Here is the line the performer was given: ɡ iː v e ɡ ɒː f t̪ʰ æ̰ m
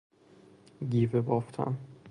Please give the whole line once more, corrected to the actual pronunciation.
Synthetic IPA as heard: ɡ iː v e b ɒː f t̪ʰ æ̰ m